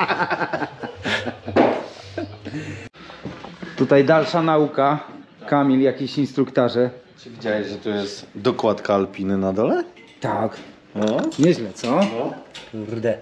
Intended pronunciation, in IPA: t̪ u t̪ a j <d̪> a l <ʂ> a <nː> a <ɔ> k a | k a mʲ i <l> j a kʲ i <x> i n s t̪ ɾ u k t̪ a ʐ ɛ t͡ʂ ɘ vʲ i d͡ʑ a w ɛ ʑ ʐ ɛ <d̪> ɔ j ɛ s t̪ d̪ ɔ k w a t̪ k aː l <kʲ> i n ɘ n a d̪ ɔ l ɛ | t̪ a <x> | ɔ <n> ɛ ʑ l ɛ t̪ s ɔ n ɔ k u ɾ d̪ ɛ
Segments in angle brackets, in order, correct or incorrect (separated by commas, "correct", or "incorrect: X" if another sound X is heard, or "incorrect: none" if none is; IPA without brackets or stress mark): correct, correct, incorrect: n, incorrect: u, correct, incorrect: ɕ, incorrect: t̪, incorrect: pʲ, incorrect: k, incorrect: ɲ